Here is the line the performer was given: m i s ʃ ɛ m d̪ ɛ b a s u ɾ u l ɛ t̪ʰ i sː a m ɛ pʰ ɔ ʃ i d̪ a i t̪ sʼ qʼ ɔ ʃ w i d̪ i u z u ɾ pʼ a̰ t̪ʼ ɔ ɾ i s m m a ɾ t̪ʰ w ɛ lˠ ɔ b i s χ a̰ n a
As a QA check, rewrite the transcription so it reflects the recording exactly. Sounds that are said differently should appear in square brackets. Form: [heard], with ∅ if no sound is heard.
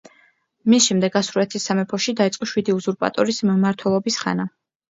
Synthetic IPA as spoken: m i s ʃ ɛ m d̪ ɛ [ɡ] a s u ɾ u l ɛ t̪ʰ i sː a m ɛ pʰ ɔ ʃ i d̪ a i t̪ sʼ qʼ ɔ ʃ w i d̪ i u z u ɾ pʼ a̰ t̪ʼ ɔ ɾ i s m m a ɾ t̪ʰ w ɛ lˠ ɔ b i s χ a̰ n a